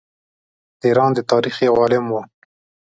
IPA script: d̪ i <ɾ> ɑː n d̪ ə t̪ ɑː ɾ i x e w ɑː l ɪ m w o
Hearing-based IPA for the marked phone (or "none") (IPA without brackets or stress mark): ɾ